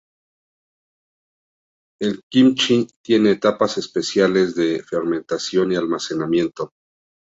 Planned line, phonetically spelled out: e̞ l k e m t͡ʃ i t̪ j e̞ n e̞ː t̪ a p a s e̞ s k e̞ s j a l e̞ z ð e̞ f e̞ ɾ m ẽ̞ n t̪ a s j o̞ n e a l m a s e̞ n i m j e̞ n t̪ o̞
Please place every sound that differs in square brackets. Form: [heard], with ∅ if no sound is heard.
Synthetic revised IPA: e̞ l k [i] m t͡ʃ i t̪ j e̞ n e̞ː t̪ a p a s e̞ s [p] e̞ s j a l e̞ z ð e̞ f e̞ ɾ m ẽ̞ n t̪ a s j o̞ n [i] a l m a s e̞ n [a] m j e̞ n t̪ o̞